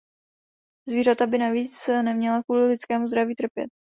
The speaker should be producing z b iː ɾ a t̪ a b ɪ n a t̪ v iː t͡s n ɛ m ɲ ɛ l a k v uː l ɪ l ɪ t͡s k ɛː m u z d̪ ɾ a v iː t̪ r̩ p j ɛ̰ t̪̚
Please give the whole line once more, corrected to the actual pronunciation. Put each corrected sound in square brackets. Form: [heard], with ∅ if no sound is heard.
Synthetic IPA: z [v] iː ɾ a t̪ a b ɪ n a [∅] v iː t͡s n ɛ m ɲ ɛ l a k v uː l ɪ l ɪ t͡s k ɛː m u z d̪ ɾ a v iː t̪ r̩ p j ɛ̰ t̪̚